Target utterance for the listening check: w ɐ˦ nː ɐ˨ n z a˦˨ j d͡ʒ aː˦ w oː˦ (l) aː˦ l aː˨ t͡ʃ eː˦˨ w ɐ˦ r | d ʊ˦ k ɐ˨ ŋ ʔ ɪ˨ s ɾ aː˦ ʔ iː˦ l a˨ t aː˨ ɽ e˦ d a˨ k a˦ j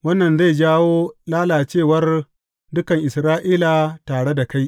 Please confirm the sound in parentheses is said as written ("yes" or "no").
yes